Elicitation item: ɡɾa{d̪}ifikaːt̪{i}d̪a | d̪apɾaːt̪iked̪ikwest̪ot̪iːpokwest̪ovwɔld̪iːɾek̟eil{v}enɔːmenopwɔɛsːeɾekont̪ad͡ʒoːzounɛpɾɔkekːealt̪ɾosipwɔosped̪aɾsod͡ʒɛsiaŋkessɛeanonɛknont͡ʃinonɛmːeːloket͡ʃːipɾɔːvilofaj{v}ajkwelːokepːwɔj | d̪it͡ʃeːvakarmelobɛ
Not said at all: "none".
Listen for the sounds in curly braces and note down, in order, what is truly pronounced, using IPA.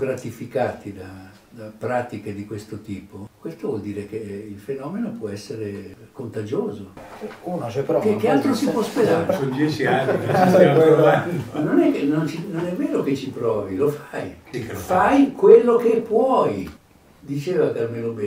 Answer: t̪, i, f, f

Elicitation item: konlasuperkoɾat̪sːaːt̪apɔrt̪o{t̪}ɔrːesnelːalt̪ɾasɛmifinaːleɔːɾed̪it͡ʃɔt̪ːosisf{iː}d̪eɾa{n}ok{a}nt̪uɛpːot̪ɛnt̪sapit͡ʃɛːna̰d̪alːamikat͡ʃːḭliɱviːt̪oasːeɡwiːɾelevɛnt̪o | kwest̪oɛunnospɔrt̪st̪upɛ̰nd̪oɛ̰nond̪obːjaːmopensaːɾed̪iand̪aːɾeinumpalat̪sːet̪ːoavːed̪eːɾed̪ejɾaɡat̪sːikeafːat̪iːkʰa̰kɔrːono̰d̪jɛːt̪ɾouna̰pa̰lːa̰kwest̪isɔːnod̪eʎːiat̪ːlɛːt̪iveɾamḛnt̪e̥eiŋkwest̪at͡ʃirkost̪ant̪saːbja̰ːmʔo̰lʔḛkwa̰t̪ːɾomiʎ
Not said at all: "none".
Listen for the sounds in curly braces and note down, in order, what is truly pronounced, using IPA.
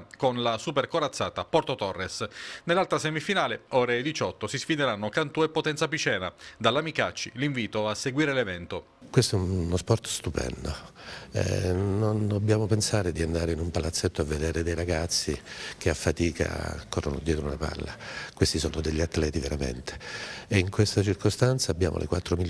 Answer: t̪, i, nː, a

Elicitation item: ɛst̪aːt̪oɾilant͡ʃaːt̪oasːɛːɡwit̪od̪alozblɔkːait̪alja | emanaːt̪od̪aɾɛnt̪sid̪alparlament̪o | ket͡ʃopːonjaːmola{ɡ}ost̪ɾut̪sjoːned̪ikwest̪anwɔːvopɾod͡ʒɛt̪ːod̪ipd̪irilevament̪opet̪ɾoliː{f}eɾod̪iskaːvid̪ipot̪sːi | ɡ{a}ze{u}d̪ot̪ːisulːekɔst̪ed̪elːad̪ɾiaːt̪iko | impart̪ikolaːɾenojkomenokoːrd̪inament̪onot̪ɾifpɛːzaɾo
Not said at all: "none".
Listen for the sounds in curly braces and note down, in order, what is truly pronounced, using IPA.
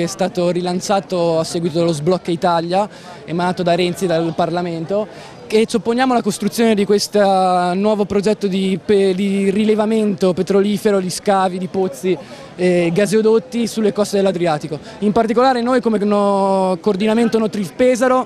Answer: k, f, a, o

